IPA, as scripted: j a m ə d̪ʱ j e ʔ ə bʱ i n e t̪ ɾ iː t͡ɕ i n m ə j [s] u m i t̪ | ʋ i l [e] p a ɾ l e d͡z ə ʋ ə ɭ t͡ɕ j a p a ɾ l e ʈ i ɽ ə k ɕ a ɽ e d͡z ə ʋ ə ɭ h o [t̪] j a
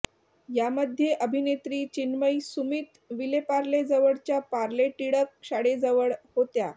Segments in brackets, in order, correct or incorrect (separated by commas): correct, correct, correct